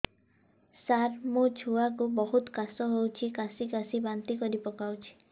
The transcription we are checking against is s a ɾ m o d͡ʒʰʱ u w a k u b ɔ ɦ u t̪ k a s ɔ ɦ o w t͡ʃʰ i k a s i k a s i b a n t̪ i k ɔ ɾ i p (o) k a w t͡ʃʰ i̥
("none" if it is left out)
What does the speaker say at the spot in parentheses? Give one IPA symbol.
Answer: ɔ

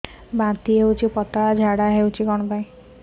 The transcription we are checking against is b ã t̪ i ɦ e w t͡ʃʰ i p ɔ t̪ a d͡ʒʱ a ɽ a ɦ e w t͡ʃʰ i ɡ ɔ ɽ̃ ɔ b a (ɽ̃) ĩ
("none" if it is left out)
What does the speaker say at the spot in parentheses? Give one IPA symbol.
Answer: none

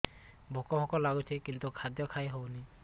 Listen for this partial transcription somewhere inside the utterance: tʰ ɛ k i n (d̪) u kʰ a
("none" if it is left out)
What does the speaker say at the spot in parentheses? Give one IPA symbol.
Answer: t̪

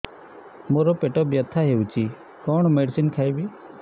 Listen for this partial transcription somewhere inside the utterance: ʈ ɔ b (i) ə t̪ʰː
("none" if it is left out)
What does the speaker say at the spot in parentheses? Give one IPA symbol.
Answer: j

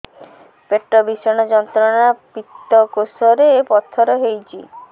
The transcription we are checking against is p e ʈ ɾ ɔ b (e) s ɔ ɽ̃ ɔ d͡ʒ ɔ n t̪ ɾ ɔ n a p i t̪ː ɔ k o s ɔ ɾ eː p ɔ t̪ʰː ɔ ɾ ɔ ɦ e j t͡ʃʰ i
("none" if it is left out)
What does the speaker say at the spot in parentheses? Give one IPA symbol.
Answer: i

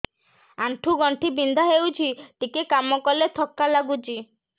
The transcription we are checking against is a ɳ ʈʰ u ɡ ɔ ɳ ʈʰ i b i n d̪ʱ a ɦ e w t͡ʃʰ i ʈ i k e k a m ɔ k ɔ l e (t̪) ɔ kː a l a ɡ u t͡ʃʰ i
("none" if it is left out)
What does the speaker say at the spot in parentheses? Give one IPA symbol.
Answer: t̪ʰ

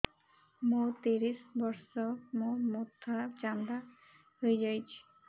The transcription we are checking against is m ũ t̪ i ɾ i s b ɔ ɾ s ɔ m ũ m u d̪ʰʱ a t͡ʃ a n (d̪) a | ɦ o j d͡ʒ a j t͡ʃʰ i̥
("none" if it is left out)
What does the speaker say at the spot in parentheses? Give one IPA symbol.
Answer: d̪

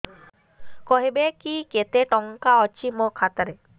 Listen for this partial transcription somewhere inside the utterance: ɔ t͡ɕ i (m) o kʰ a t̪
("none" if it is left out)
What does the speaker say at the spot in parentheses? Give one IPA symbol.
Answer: m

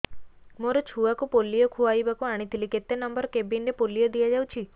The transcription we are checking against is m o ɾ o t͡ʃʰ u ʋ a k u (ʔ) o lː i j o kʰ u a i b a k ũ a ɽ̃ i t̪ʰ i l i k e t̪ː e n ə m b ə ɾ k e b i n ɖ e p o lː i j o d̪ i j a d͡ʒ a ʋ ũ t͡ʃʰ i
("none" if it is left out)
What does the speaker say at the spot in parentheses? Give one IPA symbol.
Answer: p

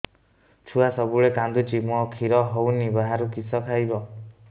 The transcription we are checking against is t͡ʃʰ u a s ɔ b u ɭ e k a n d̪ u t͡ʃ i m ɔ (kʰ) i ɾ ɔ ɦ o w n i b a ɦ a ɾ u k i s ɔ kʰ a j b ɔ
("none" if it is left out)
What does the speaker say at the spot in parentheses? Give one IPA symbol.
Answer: kʰ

